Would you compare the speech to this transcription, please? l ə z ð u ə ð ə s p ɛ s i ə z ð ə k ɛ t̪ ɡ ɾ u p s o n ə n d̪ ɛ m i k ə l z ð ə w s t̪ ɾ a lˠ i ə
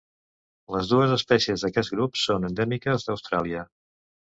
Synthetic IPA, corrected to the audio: l ə z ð u ə z ə s p ɛ s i ə z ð ə k ɛ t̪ ɡ ɾ u p s o n ə n d̪ ɛ m i k ə z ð ə w s t̪ ɾ a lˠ i ə